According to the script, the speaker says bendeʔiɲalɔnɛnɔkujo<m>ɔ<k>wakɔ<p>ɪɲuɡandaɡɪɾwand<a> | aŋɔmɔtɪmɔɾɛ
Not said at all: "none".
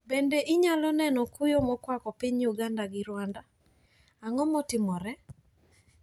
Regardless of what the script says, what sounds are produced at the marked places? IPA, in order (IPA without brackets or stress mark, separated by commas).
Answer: m, k, p, a